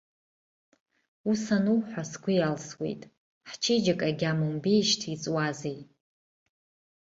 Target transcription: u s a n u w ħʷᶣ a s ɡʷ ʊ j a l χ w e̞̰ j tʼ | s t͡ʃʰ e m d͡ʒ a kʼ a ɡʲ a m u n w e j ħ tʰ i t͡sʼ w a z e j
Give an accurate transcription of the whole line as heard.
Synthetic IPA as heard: u s a n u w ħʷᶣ a s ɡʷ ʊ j a l s w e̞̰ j tʼ | ħ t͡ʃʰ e d͡ʒ a kʼ a ɡʲ a m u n b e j ʃ tʰ i t͡sʼ w a z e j